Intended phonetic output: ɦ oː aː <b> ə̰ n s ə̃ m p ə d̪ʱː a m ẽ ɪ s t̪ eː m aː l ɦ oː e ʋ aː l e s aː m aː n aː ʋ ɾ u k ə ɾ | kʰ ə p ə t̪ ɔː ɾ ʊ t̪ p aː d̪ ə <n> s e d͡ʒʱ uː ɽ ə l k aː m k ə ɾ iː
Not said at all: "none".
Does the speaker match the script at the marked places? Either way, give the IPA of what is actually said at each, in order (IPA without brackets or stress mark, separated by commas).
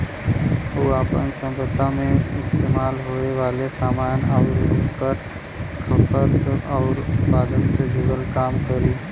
p, n